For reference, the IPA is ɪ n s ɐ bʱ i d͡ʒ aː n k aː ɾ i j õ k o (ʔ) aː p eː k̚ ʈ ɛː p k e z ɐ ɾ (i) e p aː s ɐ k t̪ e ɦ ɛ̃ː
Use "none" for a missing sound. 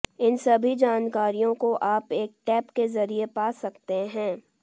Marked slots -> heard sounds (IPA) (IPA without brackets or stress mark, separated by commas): ʔ, i